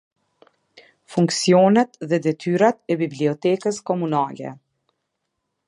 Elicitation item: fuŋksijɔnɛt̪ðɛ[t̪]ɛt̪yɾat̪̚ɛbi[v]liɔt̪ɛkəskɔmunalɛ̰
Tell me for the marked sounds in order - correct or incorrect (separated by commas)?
incorrect, incorrect